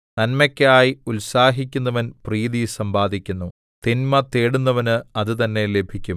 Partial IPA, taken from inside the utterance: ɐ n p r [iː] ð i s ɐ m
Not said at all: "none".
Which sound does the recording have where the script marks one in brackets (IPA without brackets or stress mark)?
iː